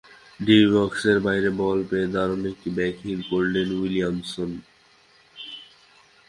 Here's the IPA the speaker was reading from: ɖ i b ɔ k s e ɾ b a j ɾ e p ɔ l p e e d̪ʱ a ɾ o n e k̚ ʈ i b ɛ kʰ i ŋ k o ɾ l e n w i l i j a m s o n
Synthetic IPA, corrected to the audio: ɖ i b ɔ k s e ɾ b a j ɾ e b ɔ l p e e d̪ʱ a ɾ o n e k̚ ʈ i b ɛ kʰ i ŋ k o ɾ l e n w i l i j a m s o n